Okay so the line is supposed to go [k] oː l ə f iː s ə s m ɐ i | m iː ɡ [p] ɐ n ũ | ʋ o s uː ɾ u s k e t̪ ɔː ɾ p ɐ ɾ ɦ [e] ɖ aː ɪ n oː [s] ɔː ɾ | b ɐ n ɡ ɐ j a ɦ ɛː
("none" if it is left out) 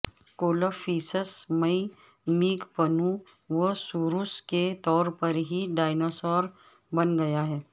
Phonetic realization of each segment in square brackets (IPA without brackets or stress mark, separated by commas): k, p, i, s